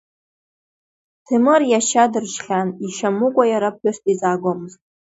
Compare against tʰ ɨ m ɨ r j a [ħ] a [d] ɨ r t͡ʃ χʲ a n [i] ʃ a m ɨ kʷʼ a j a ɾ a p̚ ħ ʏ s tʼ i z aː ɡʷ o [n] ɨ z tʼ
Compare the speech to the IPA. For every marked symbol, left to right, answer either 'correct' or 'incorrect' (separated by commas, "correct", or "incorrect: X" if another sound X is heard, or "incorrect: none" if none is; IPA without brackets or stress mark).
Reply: incorrect: ʃ, correct, correct, incorrect: m